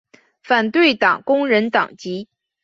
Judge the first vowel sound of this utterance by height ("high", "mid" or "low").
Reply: low